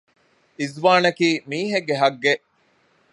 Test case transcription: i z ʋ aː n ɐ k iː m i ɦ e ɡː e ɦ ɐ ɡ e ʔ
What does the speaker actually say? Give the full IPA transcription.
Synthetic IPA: i z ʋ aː n ɐ k iː m iː ɦ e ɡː e ɦ ɐ ɡː e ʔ